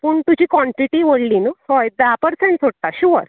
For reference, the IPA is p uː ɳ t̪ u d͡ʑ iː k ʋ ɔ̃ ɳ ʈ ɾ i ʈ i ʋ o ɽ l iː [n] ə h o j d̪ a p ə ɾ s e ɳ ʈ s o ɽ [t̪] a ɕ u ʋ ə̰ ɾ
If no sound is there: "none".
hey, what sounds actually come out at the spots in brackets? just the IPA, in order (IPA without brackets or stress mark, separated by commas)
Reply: n, t̪